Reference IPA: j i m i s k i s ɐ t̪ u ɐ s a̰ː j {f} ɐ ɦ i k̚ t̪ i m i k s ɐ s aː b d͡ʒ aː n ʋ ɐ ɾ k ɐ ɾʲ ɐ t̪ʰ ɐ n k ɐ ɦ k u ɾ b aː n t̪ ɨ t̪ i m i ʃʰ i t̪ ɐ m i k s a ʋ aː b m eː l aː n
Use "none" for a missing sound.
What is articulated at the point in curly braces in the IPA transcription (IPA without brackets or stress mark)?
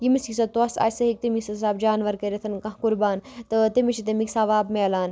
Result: s